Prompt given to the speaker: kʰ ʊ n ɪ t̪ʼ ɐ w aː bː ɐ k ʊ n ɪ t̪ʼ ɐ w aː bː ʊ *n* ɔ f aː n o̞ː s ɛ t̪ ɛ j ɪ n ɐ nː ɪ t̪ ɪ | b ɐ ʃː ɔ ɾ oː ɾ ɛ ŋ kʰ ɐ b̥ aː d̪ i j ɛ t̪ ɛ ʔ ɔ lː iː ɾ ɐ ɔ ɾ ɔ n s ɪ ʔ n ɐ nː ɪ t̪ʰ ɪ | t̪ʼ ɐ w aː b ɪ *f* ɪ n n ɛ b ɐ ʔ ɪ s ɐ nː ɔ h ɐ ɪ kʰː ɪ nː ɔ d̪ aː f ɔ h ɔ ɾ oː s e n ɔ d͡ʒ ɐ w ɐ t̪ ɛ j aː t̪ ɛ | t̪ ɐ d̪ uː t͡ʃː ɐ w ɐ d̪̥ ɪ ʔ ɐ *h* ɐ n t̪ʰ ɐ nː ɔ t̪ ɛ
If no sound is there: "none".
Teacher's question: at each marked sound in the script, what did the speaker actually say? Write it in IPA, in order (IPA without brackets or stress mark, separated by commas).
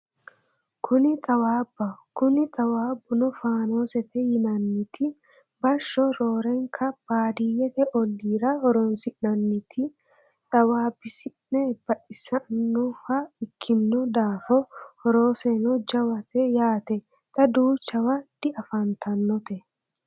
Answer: n, s, f